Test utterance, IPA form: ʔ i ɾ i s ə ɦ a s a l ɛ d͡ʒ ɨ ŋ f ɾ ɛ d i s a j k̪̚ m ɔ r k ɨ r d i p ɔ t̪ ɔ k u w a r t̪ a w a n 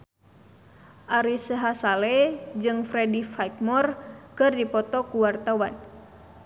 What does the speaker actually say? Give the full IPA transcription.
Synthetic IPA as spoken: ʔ a ɾ i s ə ɦ a s a l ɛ d͡ʒ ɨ ŋ f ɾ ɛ d i f a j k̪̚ m ɔ r k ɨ r d i p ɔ t̪ ɔ k u w a r t̪ a w a n